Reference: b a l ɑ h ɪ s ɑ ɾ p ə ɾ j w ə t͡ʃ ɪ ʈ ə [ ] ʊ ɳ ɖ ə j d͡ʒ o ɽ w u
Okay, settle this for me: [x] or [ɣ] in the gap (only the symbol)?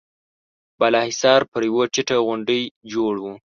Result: ɣ